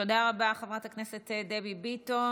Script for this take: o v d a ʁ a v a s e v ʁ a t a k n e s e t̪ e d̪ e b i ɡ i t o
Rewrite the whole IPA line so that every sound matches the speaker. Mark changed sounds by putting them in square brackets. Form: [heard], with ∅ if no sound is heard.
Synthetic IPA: o [∅] d a ʁ a [b] a [χ] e v ʁ a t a k n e s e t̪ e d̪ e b i [b] i t o